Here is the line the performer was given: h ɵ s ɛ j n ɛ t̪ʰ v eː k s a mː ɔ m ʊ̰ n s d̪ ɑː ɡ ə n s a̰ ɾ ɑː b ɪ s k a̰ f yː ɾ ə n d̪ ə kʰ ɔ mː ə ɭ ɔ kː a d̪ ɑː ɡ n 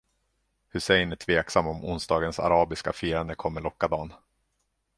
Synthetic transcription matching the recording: h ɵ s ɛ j n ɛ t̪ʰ v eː k s a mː ɔ m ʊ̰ n s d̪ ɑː ɡ ə n s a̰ ɾ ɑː b ɪ s k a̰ f iː ɾ a n d̪ ə kʰ ɔ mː ə ɭ ɔ kː a d̪ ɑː n